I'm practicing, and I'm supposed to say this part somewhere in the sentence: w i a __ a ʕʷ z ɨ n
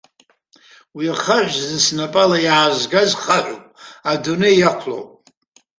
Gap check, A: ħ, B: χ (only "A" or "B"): B